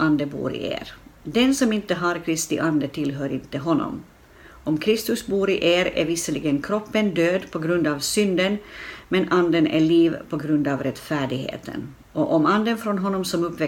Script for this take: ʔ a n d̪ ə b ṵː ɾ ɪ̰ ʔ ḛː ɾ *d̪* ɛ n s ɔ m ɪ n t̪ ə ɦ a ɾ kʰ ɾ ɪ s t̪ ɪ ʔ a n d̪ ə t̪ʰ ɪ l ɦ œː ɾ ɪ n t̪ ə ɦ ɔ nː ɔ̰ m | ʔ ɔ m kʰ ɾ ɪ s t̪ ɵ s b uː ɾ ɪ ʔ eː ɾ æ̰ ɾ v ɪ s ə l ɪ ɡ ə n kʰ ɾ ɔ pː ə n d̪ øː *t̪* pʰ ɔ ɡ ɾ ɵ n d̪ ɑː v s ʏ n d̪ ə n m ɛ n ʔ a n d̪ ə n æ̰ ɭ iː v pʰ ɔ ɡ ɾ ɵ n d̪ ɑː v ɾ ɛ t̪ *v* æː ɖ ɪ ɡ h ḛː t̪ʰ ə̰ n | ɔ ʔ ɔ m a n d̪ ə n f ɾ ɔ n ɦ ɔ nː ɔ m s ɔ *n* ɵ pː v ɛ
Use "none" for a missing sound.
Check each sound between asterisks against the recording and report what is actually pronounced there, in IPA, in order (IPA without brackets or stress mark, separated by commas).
d̪, d̪, f, m